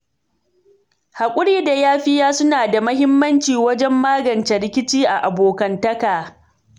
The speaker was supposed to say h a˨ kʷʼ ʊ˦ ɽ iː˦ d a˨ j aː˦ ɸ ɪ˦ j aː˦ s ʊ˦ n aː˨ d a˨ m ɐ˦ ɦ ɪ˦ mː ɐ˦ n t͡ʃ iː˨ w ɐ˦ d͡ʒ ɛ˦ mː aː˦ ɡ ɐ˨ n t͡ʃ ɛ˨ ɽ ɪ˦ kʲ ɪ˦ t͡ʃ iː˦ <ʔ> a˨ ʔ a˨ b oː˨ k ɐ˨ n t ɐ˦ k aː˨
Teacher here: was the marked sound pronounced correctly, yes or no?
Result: yes